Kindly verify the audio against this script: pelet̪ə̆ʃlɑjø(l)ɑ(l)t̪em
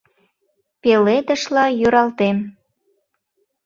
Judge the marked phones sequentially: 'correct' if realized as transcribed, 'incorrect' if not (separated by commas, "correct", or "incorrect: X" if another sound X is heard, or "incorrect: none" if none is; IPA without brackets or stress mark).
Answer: incorrect: ɾ, correct